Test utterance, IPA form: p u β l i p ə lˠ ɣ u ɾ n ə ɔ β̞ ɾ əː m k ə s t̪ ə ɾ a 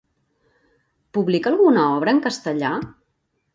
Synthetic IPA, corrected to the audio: p u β l i k ə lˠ ɣ u n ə ɔ β̞ ɾ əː ŋ k ə s t̪ ə ʎ a